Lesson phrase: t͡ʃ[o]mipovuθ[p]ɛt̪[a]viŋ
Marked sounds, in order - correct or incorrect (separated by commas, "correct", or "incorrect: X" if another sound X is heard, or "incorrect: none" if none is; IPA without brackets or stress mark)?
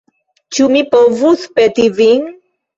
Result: incorrect: u, correct, incorrect: i